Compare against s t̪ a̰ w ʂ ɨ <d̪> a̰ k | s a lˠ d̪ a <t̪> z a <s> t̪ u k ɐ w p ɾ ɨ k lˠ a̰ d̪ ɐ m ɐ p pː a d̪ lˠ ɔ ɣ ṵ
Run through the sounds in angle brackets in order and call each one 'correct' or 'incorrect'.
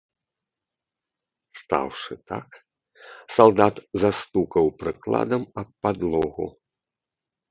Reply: incorrect, correct, correct

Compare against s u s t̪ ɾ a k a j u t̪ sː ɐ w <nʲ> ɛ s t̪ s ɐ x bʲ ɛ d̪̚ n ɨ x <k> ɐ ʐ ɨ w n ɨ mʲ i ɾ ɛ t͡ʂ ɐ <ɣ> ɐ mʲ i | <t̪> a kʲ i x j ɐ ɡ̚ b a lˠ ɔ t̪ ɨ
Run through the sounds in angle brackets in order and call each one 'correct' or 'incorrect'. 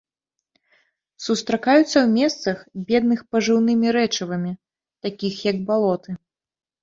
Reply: incorrect, incorrect, incorrect, correct

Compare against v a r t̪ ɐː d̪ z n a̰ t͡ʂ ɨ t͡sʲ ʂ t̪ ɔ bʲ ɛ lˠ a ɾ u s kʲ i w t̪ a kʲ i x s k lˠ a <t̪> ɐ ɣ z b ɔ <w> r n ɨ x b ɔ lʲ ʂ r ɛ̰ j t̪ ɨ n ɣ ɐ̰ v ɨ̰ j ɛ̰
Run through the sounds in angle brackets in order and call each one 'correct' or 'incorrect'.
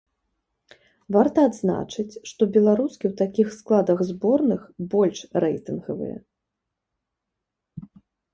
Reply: incorrect, incorrect

